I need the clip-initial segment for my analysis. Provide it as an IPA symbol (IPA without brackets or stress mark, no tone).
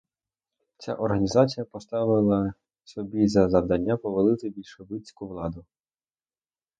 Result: t͡sʲ